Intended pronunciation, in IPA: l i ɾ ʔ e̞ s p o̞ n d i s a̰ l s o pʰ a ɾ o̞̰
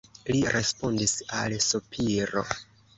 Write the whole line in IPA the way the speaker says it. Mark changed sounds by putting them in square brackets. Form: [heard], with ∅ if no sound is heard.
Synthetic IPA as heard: l i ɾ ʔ e̞ s p o̞ n d i s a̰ l s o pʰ [i] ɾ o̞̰